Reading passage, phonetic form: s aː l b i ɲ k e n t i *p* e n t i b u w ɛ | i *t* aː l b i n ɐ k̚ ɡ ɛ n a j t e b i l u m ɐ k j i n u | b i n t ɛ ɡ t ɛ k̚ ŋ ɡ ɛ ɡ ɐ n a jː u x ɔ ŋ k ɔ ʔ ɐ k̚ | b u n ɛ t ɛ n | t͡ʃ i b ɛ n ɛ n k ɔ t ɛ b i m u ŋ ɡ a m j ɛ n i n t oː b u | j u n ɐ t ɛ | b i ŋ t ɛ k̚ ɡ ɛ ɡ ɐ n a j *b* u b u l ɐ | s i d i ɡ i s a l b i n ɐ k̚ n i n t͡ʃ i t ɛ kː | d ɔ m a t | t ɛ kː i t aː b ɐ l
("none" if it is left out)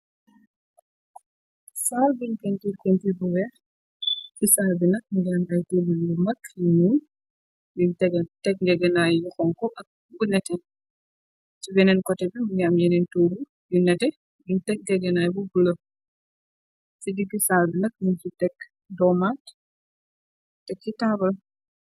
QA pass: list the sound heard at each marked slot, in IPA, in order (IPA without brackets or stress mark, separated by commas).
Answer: k, s, b